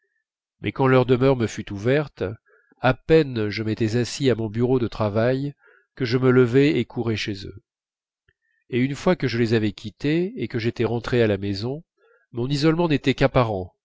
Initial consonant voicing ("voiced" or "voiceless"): voiced